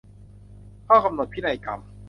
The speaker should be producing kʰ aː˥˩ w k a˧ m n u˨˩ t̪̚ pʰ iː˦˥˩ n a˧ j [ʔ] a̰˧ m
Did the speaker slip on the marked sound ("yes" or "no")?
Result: yes